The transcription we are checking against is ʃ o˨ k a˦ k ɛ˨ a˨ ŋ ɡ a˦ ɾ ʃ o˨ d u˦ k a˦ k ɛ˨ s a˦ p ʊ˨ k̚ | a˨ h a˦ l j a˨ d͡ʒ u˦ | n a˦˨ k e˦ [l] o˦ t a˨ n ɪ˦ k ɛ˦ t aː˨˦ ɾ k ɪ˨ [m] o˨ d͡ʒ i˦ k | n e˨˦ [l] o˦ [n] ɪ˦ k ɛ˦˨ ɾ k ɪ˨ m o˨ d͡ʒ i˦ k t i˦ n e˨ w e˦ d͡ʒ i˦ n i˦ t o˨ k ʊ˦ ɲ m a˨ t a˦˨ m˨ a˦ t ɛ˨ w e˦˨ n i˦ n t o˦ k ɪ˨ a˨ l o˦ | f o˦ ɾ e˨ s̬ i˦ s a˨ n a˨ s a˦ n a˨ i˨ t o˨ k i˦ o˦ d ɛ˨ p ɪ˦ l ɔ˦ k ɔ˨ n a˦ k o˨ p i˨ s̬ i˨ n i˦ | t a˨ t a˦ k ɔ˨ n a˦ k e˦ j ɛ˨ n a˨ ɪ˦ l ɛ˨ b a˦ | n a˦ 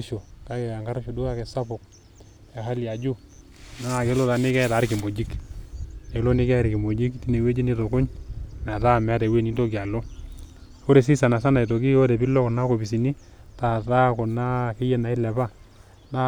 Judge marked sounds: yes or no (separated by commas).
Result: yes, yes, yes, yes